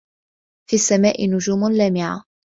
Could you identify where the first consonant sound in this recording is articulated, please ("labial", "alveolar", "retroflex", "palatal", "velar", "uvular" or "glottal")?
labial